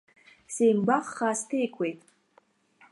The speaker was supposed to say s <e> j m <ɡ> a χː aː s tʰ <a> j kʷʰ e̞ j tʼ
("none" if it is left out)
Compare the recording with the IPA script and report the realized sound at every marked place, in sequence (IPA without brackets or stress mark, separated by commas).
e, b, e